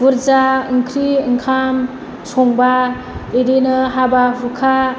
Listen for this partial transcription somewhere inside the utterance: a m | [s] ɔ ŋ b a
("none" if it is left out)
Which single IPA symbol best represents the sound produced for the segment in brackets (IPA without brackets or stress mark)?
s